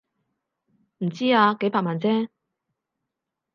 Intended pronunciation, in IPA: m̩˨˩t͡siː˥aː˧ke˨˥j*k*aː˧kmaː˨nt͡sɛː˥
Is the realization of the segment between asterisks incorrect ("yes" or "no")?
yes